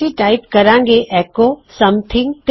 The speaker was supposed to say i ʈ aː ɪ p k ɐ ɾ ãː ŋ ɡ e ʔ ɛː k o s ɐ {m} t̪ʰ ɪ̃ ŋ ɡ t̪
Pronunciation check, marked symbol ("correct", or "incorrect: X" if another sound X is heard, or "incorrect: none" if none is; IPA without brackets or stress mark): correct